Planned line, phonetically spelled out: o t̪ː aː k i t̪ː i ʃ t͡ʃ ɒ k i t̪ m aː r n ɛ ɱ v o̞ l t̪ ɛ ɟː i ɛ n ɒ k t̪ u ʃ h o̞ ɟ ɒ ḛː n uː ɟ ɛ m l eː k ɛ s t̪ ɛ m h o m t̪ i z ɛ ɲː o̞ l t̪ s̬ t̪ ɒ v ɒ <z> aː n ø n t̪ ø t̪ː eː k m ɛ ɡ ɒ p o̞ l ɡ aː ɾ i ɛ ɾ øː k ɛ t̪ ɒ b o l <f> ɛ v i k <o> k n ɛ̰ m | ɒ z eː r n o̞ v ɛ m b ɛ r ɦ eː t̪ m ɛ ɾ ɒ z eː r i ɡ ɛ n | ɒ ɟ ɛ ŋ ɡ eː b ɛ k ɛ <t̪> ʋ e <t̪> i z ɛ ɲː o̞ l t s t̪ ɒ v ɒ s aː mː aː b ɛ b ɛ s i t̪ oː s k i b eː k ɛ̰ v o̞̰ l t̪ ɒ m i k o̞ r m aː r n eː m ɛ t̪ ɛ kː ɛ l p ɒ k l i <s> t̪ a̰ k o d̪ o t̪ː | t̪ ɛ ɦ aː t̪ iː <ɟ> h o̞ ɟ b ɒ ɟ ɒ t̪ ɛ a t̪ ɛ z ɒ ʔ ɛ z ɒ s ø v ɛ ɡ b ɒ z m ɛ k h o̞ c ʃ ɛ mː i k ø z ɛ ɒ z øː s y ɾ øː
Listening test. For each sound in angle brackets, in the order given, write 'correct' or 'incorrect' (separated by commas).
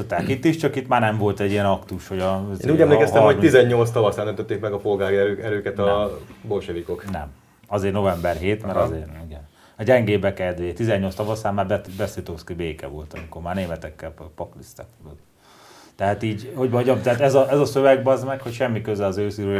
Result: incorrect, incorrect, correct, incorrect, correct, correct, correct